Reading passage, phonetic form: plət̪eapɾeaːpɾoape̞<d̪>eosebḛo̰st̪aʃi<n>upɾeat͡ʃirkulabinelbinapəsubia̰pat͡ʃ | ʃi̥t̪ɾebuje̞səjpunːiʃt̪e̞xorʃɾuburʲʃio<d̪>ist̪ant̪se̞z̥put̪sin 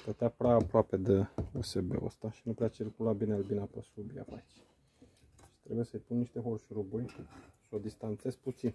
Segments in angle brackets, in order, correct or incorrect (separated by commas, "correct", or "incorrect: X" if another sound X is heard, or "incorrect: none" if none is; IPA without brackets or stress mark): correct, correct, correct